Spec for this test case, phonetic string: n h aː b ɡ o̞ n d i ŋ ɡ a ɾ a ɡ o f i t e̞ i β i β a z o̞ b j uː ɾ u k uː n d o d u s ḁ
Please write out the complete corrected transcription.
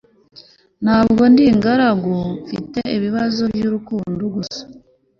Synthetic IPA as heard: n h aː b ɡ o̞ n d i ŋ ɡ a ɾ a ɡ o f i t e̞ i β i β a z o̞ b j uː ɾ u k uː n d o ɡ u s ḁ